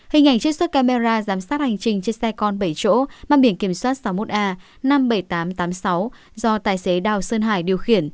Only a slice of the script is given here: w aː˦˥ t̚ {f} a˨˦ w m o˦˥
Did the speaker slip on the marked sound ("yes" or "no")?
yes